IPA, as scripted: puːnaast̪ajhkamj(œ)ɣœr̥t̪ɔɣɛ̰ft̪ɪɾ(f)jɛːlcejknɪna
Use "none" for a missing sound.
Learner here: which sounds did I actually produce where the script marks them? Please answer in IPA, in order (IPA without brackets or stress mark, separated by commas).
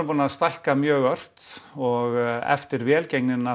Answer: œː, v